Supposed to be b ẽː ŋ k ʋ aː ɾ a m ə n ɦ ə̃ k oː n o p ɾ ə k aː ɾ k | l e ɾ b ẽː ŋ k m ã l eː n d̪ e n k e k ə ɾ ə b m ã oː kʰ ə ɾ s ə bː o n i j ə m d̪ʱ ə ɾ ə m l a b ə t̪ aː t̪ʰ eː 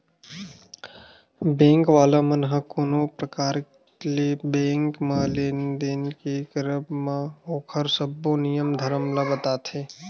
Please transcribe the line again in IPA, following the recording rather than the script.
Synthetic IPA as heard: b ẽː ŋ k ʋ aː l a m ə n ɦ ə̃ k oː n o p ɾ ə k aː ɾ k | l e b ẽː ŋ k m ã l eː n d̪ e n k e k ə ɾ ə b m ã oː kʰ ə ɾ s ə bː o n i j ə m d̪ʱ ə ɾ ə m l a b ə t̪ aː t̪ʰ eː